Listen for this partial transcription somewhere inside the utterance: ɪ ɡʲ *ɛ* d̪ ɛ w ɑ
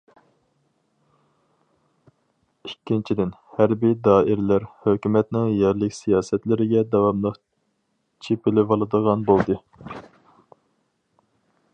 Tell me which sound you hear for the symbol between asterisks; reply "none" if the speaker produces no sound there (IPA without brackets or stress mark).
ɛ